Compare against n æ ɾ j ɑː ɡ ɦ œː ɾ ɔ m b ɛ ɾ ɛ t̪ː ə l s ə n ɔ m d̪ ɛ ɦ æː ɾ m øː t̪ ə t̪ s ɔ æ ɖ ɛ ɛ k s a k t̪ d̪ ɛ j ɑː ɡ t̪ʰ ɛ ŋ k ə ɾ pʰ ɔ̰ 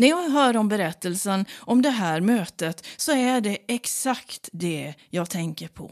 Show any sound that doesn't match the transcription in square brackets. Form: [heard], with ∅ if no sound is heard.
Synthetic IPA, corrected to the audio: n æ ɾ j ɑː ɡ ɦ œː ɾ ɔ m b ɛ ɾ ɛ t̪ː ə l s ə n ɔ m d̪ ɛ ɦ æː ɾ m øː t̪ ə t̪ s ɔ æ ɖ ɛ ɛ k s a k t̪ d̪ ɛ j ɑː ɡ t̪ʰ ɛ ŋ k ə ɾ pʰ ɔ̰